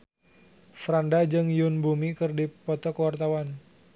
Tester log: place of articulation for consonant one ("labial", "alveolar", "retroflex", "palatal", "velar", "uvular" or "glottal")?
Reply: labial